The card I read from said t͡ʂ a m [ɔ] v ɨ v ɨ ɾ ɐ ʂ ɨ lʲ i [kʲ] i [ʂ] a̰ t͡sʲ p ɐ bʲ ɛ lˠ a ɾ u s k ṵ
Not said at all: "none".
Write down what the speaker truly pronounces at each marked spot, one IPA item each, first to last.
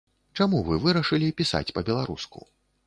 u, pʲ, s

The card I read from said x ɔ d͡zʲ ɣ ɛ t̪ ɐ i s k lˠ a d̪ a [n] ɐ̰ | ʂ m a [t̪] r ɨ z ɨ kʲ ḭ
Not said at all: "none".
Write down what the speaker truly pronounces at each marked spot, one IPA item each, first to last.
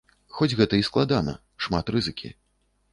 n, t̪

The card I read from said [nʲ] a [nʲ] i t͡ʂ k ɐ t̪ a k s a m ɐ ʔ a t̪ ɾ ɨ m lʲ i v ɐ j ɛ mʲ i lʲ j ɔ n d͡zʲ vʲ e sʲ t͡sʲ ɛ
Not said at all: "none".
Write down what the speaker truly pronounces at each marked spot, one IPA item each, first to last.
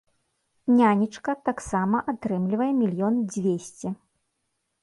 nʲ, nʲ

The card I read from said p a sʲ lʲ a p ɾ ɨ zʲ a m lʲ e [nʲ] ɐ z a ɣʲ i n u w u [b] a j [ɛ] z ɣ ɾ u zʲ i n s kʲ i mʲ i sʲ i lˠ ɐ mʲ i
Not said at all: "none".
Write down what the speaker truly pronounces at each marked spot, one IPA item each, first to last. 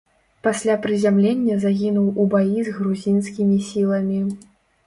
nʲː, b, i

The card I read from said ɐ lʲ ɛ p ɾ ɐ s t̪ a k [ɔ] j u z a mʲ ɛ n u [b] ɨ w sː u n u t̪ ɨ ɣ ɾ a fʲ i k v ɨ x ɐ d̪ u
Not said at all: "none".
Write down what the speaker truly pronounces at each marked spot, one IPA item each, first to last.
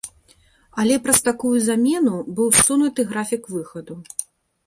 u, b

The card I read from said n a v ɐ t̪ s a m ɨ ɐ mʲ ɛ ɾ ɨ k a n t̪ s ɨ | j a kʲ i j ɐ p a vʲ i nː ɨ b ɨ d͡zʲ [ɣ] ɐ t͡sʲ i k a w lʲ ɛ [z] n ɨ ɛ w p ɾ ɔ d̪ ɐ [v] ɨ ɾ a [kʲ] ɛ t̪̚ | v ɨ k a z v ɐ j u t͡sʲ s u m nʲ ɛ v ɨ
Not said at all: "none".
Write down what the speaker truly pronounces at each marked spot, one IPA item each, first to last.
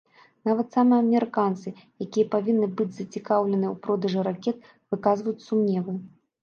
z, none, ʐ, kʲ

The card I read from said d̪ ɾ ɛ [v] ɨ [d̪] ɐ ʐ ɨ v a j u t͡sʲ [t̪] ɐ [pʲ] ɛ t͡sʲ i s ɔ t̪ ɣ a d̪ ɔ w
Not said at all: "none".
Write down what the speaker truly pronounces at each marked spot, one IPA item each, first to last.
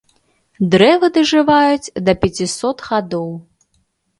v, d̪, d̪, pʲ

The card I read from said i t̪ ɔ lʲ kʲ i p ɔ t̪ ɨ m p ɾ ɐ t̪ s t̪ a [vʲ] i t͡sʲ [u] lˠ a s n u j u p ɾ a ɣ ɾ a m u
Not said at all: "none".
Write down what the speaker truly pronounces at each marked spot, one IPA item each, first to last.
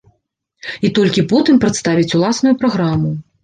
vʲ, u

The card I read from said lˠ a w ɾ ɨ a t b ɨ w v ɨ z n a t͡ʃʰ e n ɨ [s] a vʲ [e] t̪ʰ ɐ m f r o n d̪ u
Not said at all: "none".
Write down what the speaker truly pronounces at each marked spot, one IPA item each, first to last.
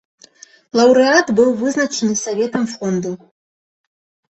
s, e

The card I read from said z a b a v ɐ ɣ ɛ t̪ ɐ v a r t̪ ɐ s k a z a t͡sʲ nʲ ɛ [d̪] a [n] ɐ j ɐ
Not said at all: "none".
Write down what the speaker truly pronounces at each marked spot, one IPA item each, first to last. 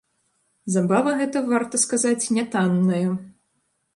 t̪, nː

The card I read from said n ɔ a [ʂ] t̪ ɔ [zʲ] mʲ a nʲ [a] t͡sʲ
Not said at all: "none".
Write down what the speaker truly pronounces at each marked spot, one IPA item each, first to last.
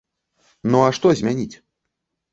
ʂ, zʲ, i

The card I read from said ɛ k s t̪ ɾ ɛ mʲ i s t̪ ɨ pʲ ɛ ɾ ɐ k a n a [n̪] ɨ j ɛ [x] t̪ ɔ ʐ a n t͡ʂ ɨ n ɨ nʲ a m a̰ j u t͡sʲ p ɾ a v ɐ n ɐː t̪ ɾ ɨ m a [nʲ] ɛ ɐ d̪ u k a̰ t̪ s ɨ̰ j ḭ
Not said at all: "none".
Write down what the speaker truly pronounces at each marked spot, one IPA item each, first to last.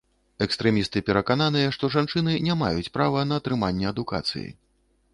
n̪, ʂ, nʲː

